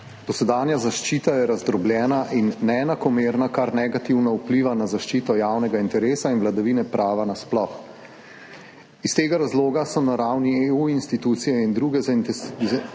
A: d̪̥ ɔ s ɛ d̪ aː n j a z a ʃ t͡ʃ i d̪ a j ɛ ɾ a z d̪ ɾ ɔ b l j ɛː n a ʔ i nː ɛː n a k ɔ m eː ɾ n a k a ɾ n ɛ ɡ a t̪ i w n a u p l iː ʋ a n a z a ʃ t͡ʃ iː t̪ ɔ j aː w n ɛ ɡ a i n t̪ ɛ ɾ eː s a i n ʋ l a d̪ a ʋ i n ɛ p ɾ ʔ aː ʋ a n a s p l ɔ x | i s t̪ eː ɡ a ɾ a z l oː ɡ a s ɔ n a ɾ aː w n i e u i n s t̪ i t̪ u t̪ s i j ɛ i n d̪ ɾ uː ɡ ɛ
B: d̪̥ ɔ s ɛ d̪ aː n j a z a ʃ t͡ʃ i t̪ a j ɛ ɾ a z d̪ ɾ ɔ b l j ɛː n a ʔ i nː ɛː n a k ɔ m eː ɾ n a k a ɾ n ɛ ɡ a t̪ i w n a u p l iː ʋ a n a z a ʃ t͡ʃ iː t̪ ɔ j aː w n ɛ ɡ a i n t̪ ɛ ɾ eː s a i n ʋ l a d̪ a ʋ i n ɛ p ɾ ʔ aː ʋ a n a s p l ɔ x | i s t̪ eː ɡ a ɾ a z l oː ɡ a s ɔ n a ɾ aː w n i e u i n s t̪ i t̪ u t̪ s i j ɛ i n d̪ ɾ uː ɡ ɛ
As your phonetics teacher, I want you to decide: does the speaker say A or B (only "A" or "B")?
B